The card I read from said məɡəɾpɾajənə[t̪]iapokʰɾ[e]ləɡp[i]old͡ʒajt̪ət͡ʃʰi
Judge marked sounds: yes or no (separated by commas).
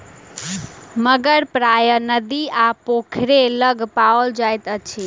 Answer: no, yes, no